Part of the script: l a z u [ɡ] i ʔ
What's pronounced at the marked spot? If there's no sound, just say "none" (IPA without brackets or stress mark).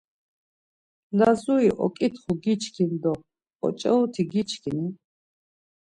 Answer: none